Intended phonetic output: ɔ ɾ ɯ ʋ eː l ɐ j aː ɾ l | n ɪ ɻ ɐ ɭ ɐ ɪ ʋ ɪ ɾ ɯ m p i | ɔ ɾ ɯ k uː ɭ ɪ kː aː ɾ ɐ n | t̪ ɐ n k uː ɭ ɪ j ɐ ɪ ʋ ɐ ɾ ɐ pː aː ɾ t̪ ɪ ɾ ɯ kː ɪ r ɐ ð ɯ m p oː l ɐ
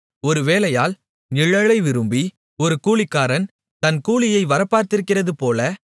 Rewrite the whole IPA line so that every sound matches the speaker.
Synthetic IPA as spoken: ɔ ɾ ɯ ʋ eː l ɐ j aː l | n ɪ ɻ ɐ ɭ ɐ ɪ ʋ ɪ ɾ ɯ m b i | ɔ ɾ ɯ k uː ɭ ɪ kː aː ɾ ɐ n | t̪ ɐ n k uː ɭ ɪ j ɐ ɪ ʋ ɐ ɾ ɐ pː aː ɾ t̪ ɪ ɾ ɯ kː ɪ r ɐ ð ɯ p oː l ɐ